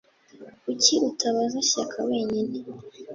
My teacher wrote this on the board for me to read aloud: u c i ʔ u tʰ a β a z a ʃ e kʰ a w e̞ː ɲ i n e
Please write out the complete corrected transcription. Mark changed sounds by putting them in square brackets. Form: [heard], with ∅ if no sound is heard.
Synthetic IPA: u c i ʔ u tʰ a β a z a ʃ [a] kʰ a w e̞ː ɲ i n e